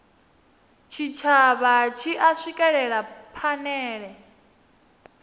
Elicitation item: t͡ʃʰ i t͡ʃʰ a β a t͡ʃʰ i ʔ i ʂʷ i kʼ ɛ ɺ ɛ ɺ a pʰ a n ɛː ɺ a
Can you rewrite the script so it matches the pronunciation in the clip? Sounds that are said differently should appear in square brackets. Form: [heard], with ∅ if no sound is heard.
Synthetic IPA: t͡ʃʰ i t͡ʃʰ a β a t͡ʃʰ i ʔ [a] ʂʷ i kʼ ɛ ɺ ɛ ɺ a pʰ a n ɛː ɺ [ɛ]